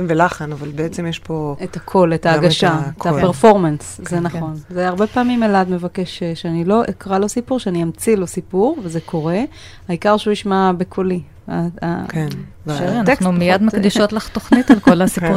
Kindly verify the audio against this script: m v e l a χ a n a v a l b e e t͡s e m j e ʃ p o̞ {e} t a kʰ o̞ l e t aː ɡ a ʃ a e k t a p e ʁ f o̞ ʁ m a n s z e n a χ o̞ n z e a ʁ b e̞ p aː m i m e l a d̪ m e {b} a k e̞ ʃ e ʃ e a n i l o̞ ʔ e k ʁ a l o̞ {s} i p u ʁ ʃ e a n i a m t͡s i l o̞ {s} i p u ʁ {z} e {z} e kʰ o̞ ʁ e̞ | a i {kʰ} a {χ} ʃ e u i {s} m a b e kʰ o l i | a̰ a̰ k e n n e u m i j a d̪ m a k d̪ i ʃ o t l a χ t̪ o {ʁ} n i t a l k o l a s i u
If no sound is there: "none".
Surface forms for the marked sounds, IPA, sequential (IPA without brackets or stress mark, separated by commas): e, v, s, s, v, z, k, ʁ, ʃ, χ